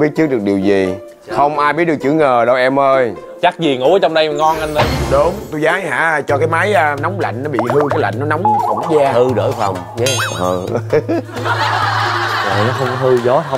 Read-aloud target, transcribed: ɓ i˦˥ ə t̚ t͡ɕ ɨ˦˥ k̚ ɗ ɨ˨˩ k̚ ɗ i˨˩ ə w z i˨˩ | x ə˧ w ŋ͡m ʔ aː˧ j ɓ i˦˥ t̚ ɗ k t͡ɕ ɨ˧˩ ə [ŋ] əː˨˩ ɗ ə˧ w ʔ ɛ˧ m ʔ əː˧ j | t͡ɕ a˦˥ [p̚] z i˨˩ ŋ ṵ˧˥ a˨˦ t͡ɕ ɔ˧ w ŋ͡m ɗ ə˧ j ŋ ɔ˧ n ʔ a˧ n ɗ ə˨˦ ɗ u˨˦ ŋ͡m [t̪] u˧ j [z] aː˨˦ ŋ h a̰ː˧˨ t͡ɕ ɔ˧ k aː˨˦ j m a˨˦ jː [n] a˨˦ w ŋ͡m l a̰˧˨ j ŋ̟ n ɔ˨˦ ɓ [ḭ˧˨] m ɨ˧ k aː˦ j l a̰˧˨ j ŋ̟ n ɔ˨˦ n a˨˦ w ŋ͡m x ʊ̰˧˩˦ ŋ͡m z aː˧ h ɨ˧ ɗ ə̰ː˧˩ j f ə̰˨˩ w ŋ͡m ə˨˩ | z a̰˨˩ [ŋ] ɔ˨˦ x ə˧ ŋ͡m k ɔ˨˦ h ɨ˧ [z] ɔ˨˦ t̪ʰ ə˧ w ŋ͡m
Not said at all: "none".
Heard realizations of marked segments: ŋ, k̚, t̪, z, n, ḭ˧˨, n, z

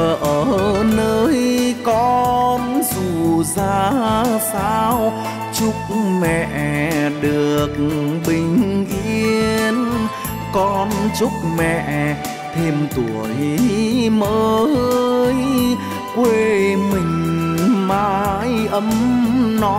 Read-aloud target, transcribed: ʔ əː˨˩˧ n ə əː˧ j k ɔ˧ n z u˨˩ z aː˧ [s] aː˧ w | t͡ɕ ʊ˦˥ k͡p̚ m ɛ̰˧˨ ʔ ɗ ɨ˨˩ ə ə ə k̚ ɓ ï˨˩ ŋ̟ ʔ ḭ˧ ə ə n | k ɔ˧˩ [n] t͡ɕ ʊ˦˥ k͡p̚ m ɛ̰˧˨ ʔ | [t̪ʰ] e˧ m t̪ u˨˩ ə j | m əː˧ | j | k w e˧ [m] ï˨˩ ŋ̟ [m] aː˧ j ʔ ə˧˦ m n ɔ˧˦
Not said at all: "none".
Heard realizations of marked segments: s, n, t̪ʰ, m, m

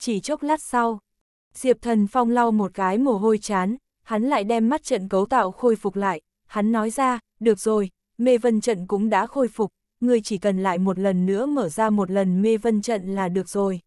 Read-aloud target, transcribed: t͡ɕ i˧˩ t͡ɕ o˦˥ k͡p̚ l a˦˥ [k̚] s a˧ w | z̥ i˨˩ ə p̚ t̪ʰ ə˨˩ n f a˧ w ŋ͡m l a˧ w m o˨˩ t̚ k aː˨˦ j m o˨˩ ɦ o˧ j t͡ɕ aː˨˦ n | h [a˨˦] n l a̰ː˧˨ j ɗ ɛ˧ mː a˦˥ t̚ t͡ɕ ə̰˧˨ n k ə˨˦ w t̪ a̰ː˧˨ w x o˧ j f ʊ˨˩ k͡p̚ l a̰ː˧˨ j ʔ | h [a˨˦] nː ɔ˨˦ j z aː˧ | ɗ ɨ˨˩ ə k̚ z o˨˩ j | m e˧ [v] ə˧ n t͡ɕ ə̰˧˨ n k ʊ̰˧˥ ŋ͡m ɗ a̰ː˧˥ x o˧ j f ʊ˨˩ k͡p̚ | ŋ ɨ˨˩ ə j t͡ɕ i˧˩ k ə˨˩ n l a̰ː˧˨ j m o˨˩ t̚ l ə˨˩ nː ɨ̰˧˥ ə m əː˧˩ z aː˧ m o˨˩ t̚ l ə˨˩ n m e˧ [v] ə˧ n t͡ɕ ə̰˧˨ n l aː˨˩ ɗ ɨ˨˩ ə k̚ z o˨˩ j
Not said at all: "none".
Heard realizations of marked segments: t̚, a˨˦, a˨˦, v, v

